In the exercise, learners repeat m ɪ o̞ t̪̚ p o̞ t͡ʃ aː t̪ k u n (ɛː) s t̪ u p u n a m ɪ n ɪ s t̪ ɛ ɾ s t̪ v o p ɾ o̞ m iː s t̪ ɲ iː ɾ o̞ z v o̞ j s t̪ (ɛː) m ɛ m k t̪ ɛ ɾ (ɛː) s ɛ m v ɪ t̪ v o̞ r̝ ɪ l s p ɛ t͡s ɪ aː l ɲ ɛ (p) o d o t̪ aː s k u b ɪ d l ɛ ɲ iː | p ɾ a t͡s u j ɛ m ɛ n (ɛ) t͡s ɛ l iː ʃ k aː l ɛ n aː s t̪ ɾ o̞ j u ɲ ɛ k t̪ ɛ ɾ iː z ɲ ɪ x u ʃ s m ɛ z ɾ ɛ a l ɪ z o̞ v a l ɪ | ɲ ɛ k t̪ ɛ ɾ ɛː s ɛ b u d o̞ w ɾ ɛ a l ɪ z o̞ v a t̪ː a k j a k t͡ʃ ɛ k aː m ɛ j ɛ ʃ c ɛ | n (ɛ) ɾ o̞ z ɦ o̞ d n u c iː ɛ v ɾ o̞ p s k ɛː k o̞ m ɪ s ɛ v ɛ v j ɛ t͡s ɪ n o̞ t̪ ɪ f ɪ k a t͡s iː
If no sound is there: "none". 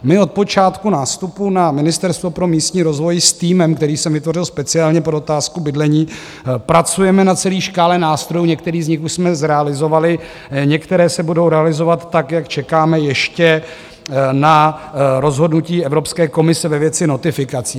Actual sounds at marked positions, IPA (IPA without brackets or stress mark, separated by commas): aː, iː, iː, p, a, a